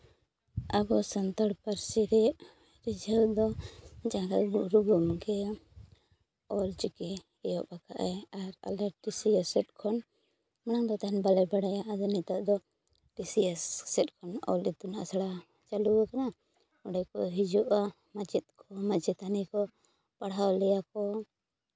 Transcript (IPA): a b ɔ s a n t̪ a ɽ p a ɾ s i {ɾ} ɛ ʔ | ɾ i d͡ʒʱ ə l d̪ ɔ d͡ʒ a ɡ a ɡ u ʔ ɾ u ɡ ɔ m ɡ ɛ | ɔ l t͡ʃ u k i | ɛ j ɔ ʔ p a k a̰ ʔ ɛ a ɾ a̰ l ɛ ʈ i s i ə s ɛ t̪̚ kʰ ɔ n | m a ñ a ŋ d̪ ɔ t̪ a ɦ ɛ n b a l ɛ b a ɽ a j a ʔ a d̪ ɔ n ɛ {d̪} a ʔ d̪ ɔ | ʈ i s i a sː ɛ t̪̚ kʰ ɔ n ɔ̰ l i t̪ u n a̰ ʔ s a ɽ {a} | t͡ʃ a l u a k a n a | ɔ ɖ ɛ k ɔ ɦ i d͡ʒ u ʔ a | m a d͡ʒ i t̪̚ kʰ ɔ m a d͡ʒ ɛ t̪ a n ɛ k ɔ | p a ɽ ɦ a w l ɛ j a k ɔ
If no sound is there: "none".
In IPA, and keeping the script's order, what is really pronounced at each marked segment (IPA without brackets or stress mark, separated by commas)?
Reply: ɾ, t̪, a